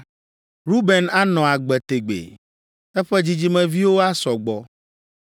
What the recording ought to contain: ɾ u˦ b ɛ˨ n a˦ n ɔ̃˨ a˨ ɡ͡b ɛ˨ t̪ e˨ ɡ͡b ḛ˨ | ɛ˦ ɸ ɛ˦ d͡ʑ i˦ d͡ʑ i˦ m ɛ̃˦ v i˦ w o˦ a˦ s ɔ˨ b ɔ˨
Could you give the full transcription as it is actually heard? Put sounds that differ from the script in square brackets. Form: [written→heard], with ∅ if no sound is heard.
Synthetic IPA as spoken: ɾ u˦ b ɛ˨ n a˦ n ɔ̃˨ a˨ ɡ͡b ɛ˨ t̪ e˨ ɡ͡b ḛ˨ | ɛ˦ ɸ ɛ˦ d͡ʑ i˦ d͡ʑ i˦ m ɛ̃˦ v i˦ w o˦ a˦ s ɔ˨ [b→ɡ͡b] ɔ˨

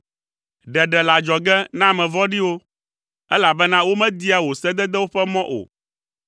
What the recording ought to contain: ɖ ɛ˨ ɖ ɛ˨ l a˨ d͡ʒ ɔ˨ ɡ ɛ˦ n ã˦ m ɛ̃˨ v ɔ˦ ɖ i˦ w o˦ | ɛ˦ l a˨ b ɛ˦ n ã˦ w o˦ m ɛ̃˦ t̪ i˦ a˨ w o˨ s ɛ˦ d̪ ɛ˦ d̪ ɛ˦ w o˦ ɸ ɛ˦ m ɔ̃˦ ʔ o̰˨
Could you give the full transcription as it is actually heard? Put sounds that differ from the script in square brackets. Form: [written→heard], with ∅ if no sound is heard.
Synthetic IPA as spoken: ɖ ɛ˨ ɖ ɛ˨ l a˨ d͡ʒ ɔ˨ ɡ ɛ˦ n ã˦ m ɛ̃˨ v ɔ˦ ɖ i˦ w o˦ | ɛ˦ l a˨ b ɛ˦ n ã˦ w o˦ m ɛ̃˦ [t̪→d̪] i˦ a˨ w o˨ s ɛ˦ d̪ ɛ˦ d̪ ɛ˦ w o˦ ɸ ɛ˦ m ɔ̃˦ ʔ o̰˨

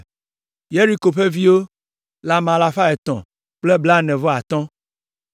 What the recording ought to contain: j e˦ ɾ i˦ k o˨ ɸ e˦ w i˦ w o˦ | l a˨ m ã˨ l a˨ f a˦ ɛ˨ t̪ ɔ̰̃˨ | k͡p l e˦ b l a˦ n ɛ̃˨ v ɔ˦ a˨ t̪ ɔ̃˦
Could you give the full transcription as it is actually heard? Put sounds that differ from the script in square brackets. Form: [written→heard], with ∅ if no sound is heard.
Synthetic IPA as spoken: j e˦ ɾ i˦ k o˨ ɸ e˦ [w→v] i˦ w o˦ | l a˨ m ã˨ l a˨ f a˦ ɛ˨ t̪ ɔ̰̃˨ | k͡p l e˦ b l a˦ n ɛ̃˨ v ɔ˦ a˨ t̪ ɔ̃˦

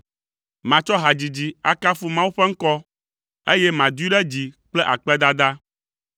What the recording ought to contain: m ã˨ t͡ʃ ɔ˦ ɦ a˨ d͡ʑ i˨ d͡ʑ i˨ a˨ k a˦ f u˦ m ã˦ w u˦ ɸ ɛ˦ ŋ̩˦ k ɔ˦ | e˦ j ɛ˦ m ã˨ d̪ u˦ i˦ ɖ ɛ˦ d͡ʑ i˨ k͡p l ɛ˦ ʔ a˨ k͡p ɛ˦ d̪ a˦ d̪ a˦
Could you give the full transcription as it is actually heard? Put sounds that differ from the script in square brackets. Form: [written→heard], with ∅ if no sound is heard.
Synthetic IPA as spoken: m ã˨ t͡ʃ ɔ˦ ɦ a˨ d͡ʑ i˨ d͡ʑ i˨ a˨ k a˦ f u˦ m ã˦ w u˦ ɸ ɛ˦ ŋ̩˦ k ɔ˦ | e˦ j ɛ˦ m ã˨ d̪ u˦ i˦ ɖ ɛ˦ d͡ʑ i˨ k͡p l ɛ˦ ʔ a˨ k͡p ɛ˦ d̪ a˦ d̪ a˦

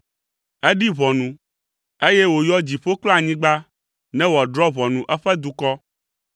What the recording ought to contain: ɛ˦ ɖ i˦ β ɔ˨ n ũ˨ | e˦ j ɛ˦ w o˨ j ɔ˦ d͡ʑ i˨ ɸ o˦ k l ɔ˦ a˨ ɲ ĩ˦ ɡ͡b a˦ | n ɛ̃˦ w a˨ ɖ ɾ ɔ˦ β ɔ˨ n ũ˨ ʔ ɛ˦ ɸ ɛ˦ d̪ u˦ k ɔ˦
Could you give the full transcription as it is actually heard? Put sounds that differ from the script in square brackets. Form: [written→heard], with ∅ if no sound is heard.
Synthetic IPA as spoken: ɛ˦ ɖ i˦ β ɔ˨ n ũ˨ | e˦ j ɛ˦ w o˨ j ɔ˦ d͡ʑ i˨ ɸ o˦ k l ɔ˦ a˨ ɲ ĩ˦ ɡ͡b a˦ | n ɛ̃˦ w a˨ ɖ ɾ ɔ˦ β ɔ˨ n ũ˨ ʔ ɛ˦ ɸ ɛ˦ d̪ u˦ k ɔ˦

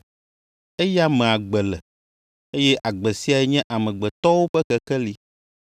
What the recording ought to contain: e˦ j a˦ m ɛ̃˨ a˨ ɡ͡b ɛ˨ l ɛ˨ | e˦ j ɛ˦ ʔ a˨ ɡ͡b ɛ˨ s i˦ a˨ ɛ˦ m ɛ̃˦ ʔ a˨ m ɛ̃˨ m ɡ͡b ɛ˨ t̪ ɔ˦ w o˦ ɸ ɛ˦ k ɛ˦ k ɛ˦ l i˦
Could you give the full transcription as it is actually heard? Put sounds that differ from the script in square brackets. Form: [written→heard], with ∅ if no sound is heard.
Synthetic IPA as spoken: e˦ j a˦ m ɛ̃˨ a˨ ɡ͡b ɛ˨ l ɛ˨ | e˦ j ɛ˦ ʔ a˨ ɡ͡b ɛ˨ s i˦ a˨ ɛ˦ [m→ɲ] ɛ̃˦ ʔ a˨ m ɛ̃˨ [m→∅] ɡ͡b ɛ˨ t̪ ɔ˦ w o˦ ɸ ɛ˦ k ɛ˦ k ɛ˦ l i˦

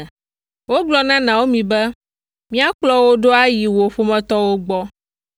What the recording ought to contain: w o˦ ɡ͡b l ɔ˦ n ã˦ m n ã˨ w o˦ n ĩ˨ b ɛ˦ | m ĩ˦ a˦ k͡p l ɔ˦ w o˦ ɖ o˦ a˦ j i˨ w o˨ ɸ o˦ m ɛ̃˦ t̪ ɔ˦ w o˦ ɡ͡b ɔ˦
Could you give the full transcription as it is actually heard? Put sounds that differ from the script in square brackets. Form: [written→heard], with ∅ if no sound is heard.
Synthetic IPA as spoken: w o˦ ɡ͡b l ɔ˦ n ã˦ [m→∅] n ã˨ w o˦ [n→m] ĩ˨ b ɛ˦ | m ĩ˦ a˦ k͡p l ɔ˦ w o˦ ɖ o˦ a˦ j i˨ w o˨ ɸ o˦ m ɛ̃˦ t̪ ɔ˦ w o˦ ɡ͡b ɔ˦

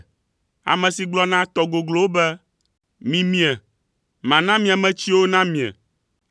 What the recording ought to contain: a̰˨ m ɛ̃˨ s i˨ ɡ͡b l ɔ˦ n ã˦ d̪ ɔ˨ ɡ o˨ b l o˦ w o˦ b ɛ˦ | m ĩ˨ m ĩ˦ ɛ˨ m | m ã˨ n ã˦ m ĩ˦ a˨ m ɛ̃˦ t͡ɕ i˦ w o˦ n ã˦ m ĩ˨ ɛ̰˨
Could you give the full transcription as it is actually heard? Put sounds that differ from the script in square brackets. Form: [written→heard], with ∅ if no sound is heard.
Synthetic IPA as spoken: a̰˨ m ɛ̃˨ s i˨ ɡ͡b l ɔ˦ n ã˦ [d̪→t̪] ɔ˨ ɡ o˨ [b→ɡ] l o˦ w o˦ b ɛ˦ | m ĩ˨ m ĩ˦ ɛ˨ [m→∅] | m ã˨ n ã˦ m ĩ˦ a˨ m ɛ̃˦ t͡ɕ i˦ w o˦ n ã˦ m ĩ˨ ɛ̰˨

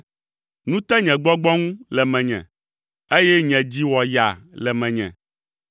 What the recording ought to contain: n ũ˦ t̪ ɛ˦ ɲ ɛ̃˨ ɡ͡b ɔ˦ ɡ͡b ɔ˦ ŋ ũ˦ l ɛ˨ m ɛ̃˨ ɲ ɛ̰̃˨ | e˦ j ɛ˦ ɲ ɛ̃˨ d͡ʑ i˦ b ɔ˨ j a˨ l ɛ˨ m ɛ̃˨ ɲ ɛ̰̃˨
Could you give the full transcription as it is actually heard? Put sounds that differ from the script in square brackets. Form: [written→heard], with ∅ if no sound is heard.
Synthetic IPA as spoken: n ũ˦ t̪ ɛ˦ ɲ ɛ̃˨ ɡ͡b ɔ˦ ɡ͡b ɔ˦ ŋ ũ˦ l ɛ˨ m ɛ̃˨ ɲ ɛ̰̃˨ | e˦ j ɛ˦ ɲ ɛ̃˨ d͡ʑ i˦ [b→w] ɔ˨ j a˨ l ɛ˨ m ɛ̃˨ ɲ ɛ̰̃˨

